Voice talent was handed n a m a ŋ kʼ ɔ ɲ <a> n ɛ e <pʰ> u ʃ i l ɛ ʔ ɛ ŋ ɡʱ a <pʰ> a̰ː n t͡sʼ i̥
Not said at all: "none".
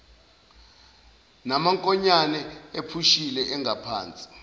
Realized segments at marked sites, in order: a, pʰ, pʰ

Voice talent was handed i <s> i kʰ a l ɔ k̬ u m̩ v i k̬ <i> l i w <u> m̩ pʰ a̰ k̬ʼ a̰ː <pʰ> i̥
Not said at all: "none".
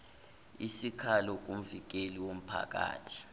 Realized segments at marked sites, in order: s, e, o, tʰ

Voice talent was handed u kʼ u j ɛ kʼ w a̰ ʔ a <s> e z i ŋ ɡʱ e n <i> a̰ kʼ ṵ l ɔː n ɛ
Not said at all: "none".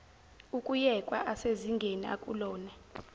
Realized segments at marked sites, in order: s, i

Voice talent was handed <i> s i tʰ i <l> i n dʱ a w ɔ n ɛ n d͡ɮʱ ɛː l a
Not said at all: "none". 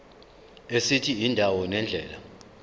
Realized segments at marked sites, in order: e, none

